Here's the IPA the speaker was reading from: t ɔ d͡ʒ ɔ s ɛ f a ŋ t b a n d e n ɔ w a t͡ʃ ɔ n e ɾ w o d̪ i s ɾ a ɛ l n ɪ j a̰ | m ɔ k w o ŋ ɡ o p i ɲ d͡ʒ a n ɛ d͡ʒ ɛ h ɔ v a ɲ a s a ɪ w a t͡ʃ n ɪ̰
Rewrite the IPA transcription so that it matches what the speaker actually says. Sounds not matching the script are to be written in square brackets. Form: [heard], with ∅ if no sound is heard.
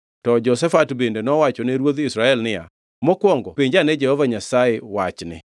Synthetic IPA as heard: t ɔ d͡ʒ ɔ s ɛ f a [∅] t b [e] n d e n ɔ w a t͡ʃ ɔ n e ɾ w o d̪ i s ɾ a ɛ l n ɪ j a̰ | m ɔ k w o ŋ ɡ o p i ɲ d͡ʒ a n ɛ d͡ʒ ɛ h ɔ v a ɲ a s a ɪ w a t͡ʃ n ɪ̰